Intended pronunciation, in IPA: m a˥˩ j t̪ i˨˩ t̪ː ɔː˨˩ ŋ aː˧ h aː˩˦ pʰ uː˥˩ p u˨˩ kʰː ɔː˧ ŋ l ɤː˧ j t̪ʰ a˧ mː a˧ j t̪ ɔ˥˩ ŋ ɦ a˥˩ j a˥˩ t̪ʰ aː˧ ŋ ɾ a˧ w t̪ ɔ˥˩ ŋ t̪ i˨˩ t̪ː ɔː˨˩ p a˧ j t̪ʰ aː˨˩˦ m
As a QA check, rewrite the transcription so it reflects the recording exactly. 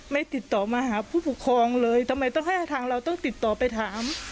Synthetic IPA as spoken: m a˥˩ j t̪ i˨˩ t̪ː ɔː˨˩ m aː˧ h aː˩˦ pʰ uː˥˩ p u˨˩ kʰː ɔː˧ ŋ l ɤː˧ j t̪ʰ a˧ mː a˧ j t̪ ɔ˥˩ ŋ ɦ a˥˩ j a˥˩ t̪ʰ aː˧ ŋ ɾ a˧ w t̪ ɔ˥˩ ŋ t̪ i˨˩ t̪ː ɔː˨˩ p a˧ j t̪ʰ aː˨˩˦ m

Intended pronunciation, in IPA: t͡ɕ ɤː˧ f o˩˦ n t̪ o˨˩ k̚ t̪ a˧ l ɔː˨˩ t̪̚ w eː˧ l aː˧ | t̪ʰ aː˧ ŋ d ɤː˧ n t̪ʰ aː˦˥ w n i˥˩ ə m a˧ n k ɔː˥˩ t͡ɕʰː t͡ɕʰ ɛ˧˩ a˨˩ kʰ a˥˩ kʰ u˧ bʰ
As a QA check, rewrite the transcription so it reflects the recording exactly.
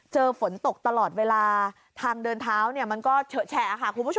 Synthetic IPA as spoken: t͡ɕ ɤː˧ f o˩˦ n t̪ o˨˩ k̚ t̪ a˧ l ɔː˨˩ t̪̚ w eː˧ l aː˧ | t̪ʰ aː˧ ŋ d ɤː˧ n t̪ʰ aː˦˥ w n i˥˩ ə m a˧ n k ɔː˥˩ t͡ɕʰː t͡ɕʰ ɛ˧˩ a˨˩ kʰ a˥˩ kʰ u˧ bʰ

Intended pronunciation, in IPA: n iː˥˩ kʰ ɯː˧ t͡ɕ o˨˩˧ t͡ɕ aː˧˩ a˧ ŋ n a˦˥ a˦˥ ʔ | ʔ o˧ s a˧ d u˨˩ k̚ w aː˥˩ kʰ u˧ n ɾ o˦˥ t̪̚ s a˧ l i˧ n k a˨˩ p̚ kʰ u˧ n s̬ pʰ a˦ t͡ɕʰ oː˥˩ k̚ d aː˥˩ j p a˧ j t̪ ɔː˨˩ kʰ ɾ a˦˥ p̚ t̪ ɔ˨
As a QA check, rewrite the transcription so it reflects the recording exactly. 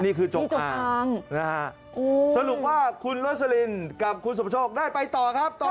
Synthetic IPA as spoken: n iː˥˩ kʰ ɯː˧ t͡ɕ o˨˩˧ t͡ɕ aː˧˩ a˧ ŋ n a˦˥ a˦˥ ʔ | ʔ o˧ s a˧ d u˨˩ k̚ w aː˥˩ kʰ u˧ n ɾ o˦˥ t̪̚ s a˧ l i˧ n k a˨˩ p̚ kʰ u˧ n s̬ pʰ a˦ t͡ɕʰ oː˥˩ k̚ d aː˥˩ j p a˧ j t̪ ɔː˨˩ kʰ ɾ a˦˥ p̚ t̪ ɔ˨

